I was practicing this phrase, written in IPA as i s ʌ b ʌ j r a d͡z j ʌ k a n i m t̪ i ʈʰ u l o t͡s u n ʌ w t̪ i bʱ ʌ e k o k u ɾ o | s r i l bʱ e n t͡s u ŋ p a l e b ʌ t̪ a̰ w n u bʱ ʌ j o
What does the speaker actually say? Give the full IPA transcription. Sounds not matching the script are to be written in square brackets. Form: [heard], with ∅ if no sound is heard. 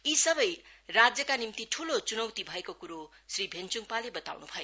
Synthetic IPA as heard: i s ʌ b ʌ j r a d͡z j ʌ k a n i m t̪ i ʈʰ u l o t͡s u n ʌ w t̪ i bʱ ʌ e k o k u ɾ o | s r i [∅] bʱ e n t͡s u ŋ p a l e b ʌ t̪ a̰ w n u bʱ ʌ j o